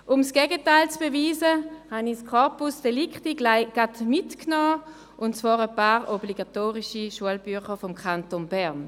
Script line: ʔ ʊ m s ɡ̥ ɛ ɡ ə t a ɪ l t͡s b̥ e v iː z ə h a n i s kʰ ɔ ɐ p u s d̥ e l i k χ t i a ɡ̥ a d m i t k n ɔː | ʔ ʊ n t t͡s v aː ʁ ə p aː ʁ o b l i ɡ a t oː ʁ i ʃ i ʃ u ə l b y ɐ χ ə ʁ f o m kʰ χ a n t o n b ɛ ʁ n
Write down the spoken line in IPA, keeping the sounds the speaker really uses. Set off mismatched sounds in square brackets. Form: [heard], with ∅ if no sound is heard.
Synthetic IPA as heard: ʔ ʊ m s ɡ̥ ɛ ɡ ə t a ɪ l t͡s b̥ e v iː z ə h a n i s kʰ ɔ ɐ p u s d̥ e l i k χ t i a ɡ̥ a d m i t k n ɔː | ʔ ʊ n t t͡s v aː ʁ ə p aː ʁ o b l i ɡ a t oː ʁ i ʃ i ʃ u ə l b y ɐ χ ə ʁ f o m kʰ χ a n t o n b ɛ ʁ n